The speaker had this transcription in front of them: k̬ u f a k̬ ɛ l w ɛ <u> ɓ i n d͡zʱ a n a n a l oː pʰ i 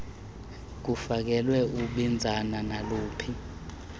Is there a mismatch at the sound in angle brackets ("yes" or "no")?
no